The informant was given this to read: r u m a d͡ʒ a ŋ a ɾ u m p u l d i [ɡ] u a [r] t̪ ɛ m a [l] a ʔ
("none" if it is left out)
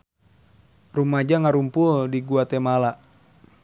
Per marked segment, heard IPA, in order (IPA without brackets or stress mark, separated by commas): ɡ, none, l